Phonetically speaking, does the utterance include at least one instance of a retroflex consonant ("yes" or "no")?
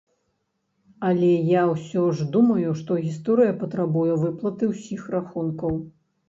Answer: yes